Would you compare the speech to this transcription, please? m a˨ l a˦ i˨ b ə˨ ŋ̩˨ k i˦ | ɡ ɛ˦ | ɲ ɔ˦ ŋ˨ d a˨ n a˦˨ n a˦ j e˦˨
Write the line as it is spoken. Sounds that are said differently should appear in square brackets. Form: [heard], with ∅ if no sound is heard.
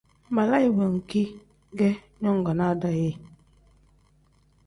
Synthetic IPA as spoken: m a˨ l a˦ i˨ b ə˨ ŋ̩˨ k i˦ | ɡ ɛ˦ | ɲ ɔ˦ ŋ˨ [ɡ] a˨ n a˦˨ [d] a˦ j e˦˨

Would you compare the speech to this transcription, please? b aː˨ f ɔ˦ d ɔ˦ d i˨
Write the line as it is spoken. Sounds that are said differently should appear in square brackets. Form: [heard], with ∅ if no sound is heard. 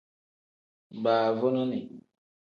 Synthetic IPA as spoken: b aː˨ [v] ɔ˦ [n] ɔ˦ [n] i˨

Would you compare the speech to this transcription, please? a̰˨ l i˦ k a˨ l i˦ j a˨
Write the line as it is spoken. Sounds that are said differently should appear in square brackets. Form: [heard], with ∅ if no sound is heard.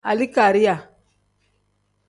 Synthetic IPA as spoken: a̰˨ l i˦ k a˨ [ɾ] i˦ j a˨

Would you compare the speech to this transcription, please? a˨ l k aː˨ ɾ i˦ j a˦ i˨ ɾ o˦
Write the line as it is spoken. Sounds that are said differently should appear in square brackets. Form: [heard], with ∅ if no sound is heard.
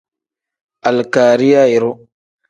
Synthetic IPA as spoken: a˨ l k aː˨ ɾ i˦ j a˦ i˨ ɾ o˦

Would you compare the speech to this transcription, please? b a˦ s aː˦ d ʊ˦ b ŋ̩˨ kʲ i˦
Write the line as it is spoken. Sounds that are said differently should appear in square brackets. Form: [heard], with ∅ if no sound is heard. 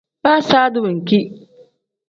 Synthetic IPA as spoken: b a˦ s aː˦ d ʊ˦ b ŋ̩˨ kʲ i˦

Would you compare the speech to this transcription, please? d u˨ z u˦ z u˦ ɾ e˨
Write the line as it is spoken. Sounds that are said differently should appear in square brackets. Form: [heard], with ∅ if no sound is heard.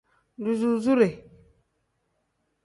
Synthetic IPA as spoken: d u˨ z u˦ z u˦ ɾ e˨

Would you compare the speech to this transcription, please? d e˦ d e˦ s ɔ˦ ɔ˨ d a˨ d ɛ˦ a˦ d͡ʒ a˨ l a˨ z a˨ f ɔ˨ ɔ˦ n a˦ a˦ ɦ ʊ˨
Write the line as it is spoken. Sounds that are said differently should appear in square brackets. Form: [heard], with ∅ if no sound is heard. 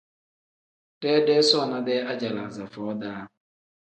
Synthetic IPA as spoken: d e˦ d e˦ s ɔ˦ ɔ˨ [n] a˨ d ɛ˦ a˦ d͡ʒ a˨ l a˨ z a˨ f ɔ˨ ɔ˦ [d] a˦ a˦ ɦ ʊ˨

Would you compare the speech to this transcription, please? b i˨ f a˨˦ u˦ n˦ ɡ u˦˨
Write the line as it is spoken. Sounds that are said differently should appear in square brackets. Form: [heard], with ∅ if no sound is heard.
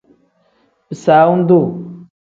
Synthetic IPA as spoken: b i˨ [s] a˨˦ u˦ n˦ [d] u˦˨

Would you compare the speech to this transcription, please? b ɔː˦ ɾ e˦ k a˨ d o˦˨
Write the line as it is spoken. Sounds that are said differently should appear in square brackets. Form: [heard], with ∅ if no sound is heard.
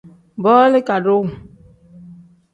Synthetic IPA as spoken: b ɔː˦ [l] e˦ k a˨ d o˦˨

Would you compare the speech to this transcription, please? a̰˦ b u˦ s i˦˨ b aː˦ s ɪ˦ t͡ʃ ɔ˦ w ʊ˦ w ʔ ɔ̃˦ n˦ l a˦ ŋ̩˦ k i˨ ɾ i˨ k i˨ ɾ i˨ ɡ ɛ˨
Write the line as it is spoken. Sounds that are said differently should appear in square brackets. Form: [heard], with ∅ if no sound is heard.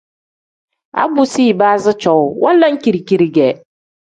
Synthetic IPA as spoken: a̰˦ b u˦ s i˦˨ b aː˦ [z] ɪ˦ t͡ʃ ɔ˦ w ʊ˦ w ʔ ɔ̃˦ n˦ l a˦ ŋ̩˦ k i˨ ɾ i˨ k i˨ ɾ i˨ ɡ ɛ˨

